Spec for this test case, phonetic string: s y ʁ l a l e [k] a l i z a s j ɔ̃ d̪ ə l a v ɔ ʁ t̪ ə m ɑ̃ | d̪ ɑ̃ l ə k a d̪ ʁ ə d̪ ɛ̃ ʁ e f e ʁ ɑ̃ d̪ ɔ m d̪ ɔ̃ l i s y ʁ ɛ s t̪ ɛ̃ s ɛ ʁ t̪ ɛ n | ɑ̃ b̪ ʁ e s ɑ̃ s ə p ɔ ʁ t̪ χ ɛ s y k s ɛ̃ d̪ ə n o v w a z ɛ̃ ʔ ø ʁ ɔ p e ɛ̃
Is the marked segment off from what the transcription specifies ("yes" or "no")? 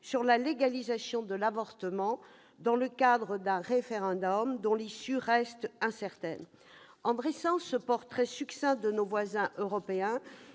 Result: yes